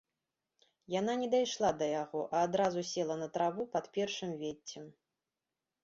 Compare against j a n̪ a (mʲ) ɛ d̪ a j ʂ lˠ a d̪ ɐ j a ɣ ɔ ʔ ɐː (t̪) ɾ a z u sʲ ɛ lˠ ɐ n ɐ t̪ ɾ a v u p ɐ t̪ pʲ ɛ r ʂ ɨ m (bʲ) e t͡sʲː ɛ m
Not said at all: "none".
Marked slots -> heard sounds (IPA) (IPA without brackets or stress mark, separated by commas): nʲ, d̪, vʲ